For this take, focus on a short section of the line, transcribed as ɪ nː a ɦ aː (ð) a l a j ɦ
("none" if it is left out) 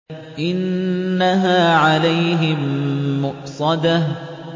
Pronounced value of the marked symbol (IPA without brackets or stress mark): ʕ